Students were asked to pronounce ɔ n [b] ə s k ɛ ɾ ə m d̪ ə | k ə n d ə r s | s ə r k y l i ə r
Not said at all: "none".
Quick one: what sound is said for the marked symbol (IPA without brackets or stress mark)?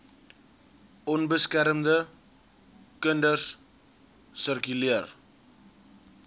b